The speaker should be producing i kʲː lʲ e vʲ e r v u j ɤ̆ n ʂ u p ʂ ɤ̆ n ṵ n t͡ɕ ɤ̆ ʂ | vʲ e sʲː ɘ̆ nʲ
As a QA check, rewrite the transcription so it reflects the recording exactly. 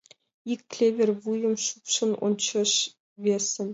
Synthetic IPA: i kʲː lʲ e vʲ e r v u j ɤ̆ m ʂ u p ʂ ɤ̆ n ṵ n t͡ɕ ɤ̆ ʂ | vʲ e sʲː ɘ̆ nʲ